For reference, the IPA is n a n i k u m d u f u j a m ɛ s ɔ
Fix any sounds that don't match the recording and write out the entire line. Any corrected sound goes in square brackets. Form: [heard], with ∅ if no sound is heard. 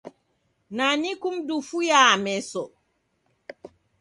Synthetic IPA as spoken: n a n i k u m d u f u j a m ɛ s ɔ